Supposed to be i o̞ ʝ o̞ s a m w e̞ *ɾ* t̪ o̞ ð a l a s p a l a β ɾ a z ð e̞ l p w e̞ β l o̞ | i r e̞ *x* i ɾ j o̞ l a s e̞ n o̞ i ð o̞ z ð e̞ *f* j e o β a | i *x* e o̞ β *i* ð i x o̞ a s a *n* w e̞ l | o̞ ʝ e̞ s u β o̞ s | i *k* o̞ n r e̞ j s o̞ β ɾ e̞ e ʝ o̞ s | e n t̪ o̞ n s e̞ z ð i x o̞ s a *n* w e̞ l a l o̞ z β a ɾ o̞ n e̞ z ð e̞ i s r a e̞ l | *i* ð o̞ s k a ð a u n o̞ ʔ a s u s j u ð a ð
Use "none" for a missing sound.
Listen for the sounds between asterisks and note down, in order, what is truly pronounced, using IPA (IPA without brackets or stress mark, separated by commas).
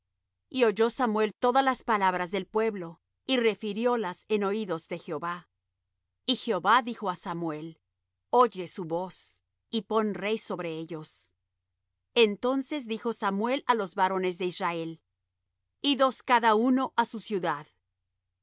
l, f, x, x, a, m, p, m, i